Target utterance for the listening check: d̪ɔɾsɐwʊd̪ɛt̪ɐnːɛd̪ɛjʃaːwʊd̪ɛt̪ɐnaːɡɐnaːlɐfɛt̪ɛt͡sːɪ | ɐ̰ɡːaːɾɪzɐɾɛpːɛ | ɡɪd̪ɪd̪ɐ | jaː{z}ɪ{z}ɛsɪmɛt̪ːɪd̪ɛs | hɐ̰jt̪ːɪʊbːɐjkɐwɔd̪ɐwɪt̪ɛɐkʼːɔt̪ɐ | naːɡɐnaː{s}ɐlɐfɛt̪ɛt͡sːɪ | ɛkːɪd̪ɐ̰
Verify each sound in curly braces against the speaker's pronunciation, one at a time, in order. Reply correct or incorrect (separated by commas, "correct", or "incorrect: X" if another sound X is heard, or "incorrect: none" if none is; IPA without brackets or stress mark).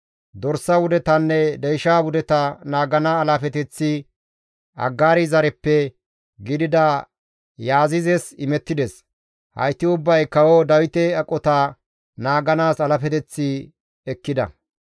correct, correct, correct